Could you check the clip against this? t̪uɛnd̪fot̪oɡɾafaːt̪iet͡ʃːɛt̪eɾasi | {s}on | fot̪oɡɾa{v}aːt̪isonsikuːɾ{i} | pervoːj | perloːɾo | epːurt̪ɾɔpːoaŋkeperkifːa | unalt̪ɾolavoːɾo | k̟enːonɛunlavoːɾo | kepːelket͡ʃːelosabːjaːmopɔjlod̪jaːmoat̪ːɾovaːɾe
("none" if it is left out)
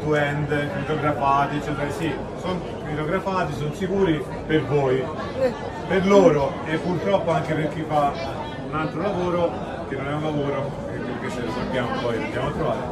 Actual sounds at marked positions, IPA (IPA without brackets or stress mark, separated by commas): s, f, i